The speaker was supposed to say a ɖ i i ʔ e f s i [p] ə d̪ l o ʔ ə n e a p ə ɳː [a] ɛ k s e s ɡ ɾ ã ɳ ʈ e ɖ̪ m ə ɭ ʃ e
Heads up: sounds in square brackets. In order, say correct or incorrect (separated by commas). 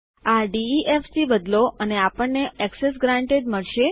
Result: incorrect, incorrect